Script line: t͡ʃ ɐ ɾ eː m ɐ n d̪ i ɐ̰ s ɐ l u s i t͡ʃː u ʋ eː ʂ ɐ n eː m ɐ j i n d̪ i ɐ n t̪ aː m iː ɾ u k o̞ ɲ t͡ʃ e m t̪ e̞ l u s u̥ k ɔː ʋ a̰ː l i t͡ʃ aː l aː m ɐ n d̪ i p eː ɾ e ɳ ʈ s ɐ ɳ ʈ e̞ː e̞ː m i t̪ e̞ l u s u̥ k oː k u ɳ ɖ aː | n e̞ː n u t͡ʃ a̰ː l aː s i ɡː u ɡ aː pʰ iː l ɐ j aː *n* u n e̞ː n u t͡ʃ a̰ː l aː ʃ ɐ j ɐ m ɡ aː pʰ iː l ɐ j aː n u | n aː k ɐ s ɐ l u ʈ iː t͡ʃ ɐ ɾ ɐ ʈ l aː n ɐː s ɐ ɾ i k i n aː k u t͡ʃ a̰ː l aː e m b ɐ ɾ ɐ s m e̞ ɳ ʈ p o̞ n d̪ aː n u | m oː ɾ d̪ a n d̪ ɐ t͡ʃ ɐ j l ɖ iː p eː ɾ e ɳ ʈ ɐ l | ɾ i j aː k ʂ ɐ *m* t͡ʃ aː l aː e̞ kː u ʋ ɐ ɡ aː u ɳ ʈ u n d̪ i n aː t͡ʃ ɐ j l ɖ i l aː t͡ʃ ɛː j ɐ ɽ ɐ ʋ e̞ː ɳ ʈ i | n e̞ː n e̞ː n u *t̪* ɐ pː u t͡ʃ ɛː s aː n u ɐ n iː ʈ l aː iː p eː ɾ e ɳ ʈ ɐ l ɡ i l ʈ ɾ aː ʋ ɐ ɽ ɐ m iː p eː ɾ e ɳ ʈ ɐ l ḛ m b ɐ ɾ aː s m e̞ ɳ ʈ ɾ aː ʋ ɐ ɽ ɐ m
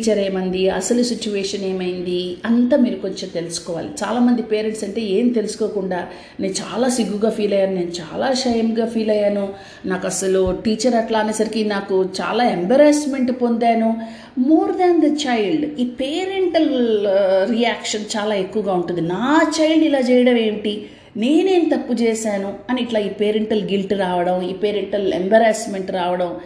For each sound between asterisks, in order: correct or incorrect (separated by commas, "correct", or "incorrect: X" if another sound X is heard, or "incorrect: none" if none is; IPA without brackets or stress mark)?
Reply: correct, incorrect: n, correct